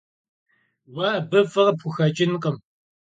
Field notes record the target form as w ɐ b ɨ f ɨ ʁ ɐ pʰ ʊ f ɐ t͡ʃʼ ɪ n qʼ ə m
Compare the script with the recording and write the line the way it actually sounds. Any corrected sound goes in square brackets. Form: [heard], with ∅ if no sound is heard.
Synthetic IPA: w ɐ b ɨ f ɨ ʁ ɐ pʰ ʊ [x] ɐ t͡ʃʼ ɪ n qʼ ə m